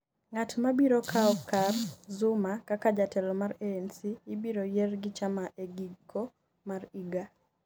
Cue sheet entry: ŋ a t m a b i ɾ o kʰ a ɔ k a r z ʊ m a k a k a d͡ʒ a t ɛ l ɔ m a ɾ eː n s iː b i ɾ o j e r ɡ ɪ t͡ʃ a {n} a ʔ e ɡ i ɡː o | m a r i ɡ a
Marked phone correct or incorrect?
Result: incorrect: m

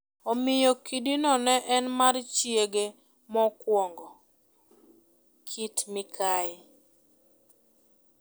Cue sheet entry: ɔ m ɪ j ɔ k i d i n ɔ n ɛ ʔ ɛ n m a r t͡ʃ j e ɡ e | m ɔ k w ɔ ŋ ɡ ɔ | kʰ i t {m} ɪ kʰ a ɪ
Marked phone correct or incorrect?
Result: correct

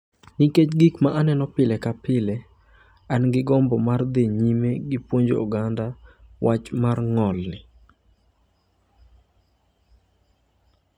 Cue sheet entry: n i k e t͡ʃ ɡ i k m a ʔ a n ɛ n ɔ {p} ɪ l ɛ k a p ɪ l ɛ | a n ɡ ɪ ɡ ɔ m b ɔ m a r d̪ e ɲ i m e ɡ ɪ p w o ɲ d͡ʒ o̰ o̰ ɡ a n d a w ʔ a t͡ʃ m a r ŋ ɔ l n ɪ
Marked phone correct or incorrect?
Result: correct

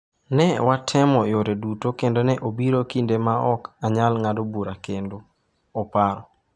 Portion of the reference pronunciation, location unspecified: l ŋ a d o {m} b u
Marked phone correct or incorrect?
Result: incorrect: none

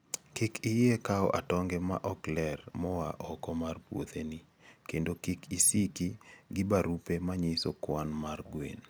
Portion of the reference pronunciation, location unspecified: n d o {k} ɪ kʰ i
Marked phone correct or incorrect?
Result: correct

